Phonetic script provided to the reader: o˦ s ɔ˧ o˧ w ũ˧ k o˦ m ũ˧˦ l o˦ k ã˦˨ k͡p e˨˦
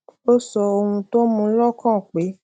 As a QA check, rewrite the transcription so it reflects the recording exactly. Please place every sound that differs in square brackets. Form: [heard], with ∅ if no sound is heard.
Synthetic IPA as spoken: o˦ s ɔ˧ o˧ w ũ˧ [t] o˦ m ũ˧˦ l [ɔ˦] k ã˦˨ k͡p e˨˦